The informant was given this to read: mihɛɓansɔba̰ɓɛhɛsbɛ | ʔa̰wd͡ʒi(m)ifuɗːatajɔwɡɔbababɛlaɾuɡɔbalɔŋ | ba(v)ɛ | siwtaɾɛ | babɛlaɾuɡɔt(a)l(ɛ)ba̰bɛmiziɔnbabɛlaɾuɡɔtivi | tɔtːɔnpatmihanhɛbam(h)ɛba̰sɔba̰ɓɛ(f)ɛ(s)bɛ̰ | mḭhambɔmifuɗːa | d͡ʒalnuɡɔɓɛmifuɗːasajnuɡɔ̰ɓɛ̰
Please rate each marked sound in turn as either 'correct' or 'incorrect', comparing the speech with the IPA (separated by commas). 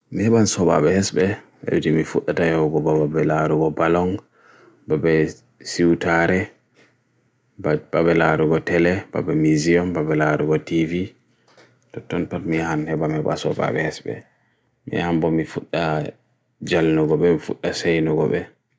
correct, incorrect, incorrect, correct, correct, incorrect, correct